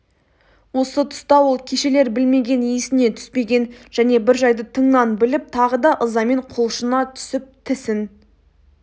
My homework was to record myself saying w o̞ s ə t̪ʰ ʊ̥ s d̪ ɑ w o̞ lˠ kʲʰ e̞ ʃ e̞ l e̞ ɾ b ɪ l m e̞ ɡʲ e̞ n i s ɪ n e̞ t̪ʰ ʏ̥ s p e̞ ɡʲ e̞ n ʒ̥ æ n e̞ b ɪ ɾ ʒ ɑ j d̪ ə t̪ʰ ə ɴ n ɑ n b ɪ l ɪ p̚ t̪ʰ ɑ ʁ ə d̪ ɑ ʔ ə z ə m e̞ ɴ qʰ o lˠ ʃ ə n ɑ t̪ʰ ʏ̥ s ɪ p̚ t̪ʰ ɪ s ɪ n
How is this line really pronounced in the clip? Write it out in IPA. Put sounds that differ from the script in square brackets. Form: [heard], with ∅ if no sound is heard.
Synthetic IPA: w o̞ s ə t̪ʰ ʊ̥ s [t̪] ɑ w o̞ lˠ kʲʰ e̞ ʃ e̞ l e̞ ɾ b ɪ l m e̞ ɡʲ e̞ n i s ɪ n e̞ t̪ʰ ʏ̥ s p e̞ ɡʲ e̞ n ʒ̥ æ n e̞ b ɪ ɾ ʒ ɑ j d̪ ə t̪ʰ ə ɴ n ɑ n b ɪ l ɪ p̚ t̪ʰ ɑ ʁ ə d̪ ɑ ʔ ə z [ɑ] m e̞ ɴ qʰ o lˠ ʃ ə n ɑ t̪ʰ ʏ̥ s ɪ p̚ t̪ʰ ɪ s ɪ n